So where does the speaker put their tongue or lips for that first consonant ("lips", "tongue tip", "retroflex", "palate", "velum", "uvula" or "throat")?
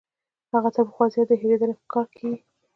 throat